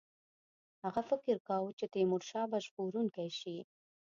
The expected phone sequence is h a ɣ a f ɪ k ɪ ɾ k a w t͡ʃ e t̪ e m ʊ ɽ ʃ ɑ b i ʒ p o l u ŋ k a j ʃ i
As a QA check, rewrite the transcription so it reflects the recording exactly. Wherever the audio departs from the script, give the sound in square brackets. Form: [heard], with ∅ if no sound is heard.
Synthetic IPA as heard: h a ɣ a f ɪ k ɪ ɾ k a w t͡ʃ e t̪ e m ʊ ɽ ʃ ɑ b [a] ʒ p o [ɾ] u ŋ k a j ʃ i